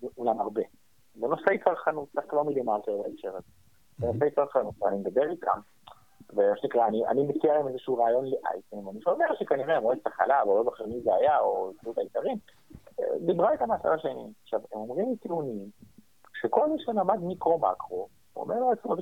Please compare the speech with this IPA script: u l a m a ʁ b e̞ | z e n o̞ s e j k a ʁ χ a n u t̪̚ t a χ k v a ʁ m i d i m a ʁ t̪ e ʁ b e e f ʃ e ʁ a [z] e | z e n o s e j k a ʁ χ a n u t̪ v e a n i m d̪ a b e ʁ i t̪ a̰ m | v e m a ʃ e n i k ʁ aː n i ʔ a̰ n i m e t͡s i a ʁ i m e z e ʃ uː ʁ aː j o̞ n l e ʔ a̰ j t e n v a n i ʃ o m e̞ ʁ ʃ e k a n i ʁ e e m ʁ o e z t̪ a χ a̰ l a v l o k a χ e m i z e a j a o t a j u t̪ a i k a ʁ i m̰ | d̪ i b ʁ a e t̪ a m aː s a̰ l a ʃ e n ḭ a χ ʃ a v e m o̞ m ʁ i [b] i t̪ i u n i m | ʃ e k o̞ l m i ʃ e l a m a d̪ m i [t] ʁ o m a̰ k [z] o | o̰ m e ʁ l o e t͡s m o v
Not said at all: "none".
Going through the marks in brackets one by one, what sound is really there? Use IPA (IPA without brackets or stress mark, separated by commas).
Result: z, m, k, ʁ